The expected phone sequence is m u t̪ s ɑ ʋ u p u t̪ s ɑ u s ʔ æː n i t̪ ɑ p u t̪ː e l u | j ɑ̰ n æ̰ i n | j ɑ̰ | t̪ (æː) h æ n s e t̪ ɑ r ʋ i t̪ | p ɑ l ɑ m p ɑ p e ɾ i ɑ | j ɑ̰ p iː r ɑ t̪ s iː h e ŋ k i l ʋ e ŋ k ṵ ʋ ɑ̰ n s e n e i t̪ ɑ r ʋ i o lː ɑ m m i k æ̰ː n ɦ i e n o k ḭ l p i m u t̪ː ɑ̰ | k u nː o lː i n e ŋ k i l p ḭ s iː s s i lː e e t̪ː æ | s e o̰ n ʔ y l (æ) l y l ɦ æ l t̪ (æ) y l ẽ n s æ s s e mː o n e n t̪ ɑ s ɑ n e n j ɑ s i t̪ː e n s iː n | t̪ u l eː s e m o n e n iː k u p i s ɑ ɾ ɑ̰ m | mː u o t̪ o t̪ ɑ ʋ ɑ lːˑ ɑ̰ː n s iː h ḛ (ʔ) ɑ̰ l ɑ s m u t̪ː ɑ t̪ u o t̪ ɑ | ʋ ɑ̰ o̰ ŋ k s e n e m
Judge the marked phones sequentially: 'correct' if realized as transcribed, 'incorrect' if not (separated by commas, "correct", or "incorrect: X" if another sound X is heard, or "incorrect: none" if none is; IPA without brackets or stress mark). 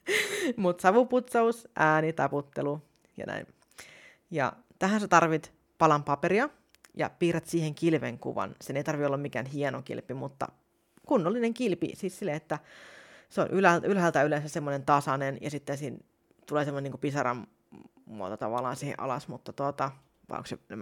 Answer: incorrect: æ, correct, correct, correct